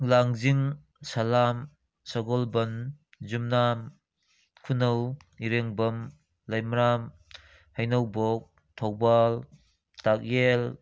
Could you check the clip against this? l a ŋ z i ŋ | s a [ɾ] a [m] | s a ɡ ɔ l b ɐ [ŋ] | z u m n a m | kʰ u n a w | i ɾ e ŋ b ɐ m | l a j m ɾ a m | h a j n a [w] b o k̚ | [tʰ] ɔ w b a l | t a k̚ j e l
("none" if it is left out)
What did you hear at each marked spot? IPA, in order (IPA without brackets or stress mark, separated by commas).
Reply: l, m, n, w, tʰ